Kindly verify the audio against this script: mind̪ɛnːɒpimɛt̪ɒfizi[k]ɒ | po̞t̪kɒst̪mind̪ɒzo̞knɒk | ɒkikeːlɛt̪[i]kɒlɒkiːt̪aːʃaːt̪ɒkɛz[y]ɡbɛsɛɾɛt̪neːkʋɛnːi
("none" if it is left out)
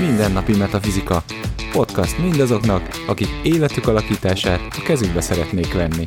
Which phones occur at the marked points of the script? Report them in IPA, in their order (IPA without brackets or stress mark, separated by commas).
k, y, y